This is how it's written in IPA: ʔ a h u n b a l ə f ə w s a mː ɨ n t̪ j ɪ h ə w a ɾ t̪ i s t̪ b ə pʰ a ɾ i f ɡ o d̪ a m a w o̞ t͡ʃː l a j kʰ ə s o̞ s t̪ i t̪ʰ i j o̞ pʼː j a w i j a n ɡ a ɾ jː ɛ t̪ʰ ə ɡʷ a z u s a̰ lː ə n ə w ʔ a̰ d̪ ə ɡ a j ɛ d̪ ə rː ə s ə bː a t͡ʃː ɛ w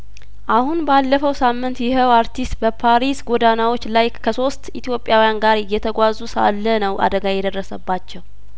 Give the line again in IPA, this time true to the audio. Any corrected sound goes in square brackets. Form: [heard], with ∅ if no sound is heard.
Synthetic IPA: ʔ a h u n b a [lː] ə f ə w s a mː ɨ n t̪ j ɪ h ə w a ɾ t̪ i s t̪ b ə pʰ a ɾ i [s] ɡ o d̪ a [n] a w o̞ t͡ʃː l a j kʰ ə s o̞ s t̪ i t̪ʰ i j o̞ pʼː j a w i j a n ɡ a ɾ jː ɛ t̪ʰ ə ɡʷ a z u s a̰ lː ə n ə w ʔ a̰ d̪ ə ɡ a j ɛ d̪ ə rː ə s ə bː a t͡ʃː ɛ w